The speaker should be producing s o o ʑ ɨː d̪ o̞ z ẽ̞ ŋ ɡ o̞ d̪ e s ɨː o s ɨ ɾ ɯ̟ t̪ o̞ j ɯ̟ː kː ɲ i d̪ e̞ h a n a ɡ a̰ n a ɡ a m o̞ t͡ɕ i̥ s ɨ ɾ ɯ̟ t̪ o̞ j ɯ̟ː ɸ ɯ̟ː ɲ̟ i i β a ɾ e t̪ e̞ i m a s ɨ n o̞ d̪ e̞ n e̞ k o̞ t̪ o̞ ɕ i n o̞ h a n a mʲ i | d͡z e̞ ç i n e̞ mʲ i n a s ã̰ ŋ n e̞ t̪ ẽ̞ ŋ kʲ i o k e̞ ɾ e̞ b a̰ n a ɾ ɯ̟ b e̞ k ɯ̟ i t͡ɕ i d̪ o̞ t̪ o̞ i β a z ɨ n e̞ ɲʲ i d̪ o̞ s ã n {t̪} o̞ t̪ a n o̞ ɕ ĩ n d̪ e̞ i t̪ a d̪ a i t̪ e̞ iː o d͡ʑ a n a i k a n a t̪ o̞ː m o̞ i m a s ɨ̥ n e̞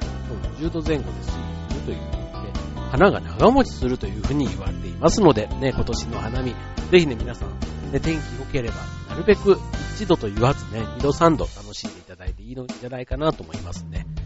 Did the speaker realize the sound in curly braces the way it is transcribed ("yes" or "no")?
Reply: no